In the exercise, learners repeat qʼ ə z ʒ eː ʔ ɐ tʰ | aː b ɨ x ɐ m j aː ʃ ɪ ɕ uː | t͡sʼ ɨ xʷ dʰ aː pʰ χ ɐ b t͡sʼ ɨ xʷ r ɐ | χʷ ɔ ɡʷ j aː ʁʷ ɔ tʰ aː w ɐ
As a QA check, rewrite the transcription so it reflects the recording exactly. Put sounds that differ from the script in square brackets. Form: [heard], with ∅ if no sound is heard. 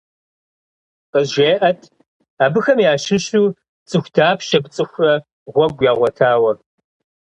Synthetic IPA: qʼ ə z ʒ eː ʔ ɐ tʰ | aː b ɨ x ɐ m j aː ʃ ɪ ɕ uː | t͡sʼ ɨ xʷ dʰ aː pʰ [ʃ] ɐ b t͡sʼ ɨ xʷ r ɐ | [ʁʷ] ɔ ɡʷ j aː ʁʷ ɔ tʰ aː w ɐ

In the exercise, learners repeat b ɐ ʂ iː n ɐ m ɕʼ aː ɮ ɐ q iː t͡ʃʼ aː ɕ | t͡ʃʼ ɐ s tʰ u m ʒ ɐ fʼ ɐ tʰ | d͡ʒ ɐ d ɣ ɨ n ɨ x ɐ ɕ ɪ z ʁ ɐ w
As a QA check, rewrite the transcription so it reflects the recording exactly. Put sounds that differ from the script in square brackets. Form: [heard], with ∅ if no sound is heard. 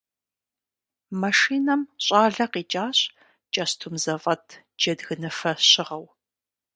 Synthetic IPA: [m] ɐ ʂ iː n ɐ m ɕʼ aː ɮ ɐ q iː t͡ʃʼ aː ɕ | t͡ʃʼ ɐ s tʰ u m [z] ɐ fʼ ɐ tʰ | d͡ʒ ɐ d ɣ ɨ n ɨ [f] ɐ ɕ ɪ [∅] ʁ ɐ w

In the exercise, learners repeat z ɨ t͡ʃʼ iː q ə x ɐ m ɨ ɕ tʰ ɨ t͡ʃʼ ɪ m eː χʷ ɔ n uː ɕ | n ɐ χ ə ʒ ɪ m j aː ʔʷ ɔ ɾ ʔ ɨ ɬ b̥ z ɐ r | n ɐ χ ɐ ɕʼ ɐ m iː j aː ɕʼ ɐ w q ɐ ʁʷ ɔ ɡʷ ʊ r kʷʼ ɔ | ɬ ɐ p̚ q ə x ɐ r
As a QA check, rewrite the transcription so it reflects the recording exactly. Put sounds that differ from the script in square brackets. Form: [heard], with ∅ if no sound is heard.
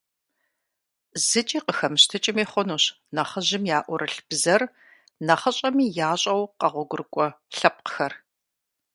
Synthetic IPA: z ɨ t͡ʃʼ iː q ə x ɐ m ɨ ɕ tʰ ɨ t͡ʃʼ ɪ m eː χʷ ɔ n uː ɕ | n ɐ χ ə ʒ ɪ m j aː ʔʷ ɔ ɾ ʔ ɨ ɬ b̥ z ɐ r | n ɐ χ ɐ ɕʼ ɐ m iː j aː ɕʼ ɐ w q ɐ ʁʷ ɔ ɡʷ ʊ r kʷʼ ɔ | ɬ ɐ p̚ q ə x ɐ r

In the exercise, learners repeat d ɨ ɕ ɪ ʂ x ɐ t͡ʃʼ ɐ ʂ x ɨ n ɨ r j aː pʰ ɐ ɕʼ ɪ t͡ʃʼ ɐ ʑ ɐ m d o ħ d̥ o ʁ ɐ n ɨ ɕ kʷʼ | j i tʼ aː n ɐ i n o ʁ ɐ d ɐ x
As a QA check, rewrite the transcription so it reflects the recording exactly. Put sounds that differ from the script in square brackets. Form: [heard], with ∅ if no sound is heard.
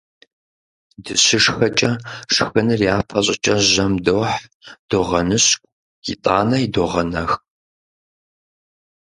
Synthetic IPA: d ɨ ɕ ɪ ʂ x ɐ t͡ʃʼ ɐ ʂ x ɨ n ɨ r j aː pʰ ɐ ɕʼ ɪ t͡ʃʼ ɐ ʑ ɐ m d o ħ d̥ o ʁ ɐ n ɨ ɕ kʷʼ | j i tʼ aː n ɐ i [d] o ʁ ɐ [n] ɐ x

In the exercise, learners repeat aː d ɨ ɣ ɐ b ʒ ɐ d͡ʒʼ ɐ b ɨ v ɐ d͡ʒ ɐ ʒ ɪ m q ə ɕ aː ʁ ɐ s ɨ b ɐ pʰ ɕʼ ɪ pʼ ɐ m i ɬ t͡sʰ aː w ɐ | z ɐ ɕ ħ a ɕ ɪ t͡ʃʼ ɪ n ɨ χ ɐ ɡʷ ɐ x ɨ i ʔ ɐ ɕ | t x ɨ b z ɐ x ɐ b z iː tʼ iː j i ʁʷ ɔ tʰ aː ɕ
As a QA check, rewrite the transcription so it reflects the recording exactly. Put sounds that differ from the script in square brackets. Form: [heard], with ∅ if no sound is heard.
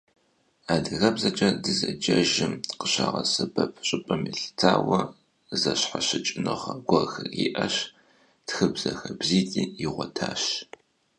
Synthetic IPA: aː d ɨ ɣ ɐ b [z] ɐ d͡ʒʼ ɐ [d] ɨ [z] ɐ d͡ʒ ɐ ʒ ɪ m q ə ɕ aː ʁ ɐ s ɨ b ɐ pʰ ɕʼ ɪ pʼ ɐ m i ɬ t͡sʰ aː w ɐ | z ɐ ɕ ħ a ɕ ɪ t͡ʃʼ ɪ n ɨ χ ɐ ɡʷ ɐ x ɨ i ʔ ɐ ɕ | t x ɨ b z ɐ x ɐ b z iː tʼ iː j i ʁʷ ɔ tʰ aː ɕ

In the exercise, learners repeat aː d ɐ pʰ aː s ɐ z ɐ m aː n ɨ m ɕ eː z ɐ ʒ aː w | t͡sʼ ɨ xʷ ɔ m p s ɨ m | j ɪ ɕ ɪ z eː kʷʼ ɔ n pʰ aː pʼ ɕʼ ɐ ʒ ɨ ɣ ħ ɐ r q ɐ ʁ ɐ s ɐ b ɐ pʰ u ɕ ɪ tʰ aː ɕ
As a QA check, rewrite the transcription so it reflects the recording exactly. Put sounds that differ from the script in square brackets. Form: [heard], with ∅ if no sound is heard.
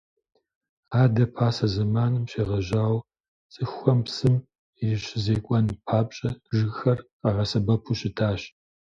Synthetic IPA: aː d ɐ pʰ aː s ɐ z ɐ m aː n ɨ m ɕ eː [ʁ] ɐ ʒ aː w | t͡sʼ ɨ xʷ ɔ m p s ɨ m | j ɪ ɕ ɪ z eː kʷʼ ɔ n pʰ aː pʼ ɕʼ ɐ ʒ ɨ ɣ [x] ɐ r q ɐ ʁ ɐ s ɐ b ɐ pʰ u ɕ ɪ tʰ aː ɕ

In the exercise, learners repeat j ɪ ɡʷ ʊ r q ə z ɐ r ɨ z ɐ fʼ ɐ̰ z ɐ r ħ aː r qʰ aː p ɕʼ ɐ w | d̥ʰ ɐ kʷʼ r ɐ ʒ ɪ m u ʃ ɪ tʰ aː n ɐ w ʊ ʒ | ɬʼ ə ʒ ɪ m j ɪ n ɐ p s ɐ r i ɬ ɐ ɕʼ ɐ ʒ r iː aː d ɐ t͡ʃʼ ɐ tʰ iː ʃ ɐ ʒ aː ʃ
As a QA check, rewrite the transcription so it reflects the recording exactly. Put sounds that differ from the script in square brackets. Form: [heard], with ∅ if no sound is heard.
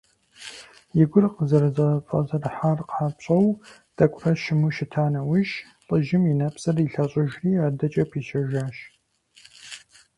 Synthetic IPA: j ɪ ɡʷ ʊ r q ə z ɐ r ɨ z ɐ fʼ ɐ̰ z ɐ r ħ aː r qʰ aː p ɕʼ ɐ w | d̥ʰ ɐ kʷʼ r ɐ [ʃ] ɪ m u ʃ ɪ tʰ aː n ɐ w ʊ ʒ | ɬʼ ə ʒ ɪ m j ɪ n ɐ p s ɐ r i ɬ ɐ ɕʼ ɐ ʒ r iː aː d ɐ t͡ʃʼ ɐ [pʰ] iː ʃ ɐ ʒ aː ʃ

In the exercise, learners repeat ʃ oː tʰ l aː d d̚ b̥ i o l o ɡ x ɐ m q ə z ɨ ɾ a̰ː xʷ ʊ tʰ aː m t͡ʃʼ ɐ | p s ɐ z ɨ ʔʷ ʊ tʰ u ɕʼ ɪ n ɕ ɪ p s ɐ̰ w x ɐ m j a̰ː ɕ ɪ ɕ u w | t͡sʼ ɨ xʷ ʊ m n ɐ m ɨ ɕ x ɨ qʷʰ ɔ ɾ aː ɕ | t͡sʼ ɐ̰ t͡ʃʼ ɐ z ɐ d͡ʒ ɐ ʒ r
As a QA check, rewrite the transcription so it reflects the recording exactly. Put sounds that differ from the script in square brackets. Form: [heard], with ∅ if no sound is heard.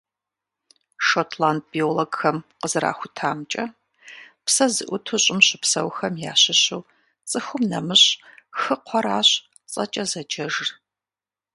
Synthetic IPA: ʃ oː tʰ l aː [n] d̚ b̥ i o l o ɡ x ɐ m q ə z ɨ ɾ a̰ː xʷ ʊ tʰ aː m t͡ʃʼ ɐ | p s ɐ z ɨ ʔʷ ʊ tʰ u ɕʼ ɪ [m] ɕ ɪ p s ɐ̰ w x ɐ m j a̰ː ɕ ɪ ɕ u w | t͡sʼ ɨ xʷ ʊ m n ɐ m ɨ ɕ x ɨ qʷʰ ɔ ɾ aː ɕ | t͡sʼ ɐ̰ t͡ʃʼ ɐ z ɐ d͡ʒ ɐ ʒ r

